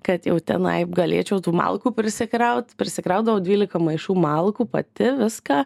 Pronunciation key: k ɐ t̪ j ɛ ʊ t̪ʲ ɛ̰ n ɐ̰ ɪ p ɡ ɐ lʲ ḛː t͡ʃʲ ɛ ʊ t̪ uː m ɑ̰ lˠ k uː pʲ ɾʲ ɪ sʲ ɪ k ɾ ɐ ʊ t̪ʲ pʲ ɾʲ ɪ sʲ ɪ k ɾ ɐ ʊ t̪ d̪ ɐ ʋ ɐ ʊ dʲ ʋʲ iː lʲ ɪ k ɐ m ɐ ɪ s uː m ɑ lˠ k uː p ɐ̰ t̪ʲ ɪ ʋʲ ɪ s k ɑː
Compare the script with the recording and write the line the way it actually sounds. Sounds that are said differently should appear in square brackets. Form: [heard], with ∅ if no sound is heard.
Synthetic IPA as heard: k ɐ t̪ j ɛ ʊ t̪ʲ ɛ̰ n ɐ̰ ɪ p ɡ ɐ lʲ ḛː t͡ʃʲ ɛ ʊ t̪ uː m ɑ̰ lˠ k uː pʲ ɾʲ ɪ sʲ ɪ k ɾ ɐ ʊ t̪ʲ pʲ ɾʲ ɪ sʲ ɪ k ɾ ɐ ʊ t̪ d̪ ɐ ʋ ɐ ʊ dʲ ʋʲ iː lʲ ɪ k ɐ m ɐ ɪ [ʃ] uː m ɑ lˠ k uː p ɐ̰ t̪ʲ ɪ ʋʲ ɪ s k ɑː